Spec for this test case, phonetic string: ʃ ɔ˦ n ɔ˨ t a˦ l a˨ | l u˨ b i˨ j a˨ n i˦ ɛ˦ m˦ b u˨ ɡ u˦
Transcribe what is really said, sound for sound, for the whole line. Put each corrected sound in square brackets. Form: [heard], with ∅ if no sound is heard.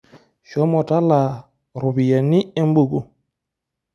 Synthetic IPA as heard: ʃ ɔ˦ [m] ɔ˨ t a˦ l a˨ | [ɾ] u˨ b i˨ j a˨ n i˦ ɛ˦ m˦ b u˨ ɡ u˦